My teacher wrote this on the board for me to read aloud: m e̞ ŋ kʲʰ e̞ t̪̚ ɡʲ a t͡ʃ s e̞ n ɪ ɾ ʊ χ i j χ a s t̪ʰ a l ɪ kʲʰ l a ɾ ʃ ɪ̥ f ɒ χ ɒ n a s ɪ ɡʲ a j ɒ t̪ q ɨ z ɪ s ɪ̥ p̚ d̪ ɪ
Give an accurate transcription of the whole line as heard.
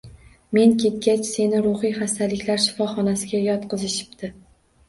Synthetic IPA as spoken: m e̞ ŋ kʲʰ e̞ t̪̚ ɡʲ a t͡ʃ s e̞ n ɪ ɾ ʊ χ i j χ a s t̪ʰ a l ɪ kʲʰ l a ɾ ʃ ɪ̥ f ɒ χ ɒ n a s ɪ ɡʲ a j ɒ t̪ q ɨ z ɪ ʃ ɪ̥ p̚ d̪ ɪ